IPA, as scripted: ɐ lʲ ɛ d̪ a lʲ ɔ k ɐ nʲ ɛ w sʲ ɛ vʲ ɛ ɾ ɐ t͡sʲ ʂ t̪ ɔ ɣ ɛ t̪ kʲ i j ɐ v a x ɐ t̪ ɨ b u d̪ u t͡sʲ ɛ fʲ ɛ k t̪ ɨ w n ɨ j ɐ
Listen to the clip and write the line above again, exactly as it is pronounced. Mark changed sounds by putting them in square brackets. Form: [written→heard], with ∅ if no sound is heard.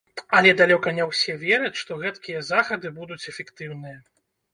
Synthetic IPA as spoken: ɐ lʲ ɛ d̪ a lʲ ɔ k ɐ nʲ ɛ w sʲ ɛ vʲ ɛ ɾ ɐ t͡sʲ ʂ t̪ ɔ ɣ ɛ t̪ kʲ i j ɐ [v→z] a x ɐ [t̪→d̪] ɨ b u d̪ u t͡sʲ ɛ fʲ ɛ k t̪ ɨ w n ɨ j ɐ